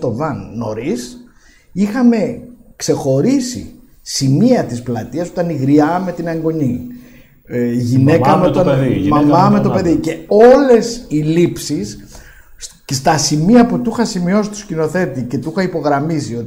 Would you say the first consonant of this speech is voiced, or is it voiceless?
voiceless